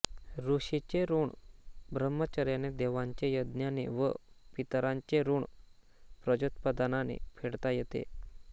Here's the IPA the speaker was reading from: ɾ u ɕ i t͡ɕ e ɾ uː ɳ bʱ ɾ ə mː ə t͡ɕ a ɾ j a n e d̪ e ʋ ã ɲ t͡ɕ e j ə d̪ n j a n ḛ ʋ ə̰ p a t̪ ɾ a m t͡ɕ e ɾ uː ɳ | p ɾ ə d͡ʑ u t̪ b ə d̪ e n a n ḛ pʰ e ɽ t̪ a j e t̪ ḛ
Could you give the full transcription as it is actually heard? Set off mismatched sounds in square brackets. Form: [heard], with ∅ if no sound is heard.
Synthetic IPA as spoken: ɾ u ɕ i t͡ɕ e ɾ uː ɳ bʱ ɾ ə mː ə t͡ɕ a ɾ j a n e d̪ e ʋ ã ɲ t͡ɕ e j ə d̪ n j a n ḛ ʋ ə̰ p [i] t̪ ɾ a [ɲ] t͡ɕ e ɾ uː ɳ | p ɾ ə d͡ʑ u t̪ [p] ə d̪ [a] n a n ḛ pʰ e ɽ t̪ a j e t̪ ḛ